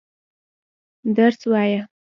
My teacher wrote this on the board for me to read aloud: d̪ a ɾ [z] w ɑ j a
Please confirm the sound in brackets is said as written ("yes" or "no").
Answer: no